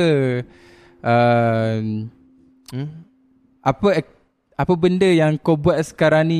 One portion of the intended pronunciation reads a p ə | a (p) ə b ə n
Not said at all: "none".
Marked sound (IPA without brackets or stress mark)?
p